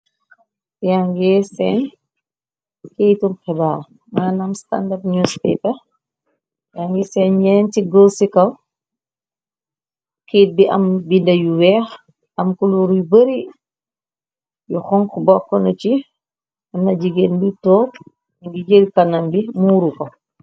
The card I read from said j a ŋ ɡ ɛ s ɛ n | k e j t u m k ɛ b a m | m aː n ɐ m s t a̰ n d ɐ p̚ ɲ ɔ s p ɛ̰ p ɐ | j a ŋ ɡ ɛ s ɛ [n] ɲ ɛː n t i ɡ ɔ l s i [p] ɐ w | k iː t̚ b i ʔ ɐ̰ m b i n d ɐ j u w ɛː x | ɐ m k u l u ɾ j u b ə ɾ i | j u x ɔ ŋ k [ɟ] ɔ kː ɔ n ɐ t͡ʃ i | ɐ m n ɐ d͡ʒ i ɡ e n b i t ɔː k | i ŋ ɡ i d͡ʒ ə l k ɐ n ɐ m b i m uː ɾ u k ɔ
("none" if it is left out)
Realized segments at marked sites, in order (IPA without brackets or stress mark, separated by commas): n, k, b